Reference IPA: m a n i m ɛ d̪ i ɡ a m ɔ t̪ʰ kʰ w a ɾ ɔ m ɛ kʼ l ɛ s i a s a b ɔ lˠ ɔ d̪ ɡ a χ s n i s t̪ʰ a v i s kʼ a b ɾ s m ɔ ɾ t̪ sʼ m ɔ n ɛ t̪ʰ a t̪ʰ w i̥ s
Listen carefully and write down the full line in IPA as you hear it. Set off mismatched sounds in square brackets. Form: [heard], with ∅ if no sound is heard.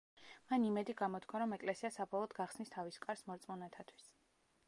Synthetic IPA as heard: m a n i m ɛ d̪ i ɡ a m ɔ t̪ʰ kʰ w a ɾ ɔ m ɛ kʼ l ɛ s i a s a b ɔ lˠ ɔ d̪ ɡ a χ s n i s t̪ʰ a v i s kʼ a [∅] ɾ s m ɔ ɾ t̪ sʼ m ɔ n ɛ t̪ʰ a t̪ʰ w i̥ s